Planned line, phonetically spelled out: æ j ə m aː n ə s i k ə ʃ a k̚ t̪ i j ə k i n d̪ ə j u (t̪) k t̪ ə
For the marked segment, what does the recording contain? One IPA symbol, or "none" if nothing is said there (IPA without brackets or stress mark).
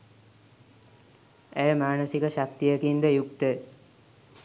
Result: none